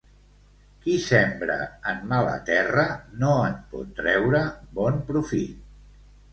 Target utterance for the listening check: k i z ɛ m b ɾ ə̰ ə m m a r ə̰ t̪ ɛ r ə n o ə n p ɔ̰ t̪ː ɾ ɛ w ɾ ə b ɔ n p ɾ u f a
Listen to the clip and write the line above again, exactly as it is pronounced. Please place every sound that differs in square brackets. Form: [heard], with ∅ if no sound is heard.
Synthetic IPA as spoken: k i [s] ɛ m b ɾ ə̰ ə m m a [l] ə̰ t̪ ɛ r ə n o ə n p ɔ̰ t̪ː ɾ ɛ w ɾ ə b ɔ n p ɾ u f [i]